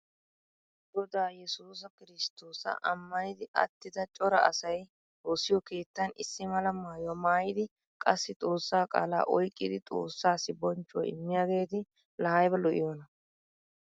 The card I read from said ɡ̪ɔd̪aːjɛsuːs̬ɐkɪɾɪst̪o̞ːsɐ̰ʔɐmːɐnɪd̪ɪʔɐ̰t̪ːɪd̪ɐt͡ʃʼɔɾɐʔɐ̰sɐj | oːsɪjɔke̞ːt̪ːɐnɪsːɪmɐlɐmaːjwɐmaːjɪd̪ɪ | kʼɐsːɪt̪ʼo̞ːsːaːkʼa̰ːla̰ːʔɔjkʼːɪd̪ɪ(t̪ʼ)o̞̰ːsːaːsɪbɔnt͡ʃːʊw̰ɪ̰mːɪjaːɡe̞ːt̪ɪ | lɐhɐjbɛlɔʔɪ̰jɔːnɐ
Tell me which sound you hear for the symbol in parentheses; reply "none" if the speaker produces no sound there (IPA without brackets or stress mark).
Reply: t̪ʼ